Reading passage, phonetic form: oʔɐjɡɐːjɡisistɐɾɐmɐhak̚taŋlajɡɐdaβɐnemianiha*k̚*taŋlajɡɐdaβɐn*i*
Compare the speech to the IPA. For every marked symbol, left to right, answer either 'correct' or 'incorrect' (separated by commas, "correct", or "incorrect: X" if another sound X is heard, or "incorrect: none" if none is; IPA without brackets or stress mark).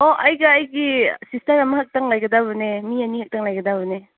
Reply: correct, incorrect: e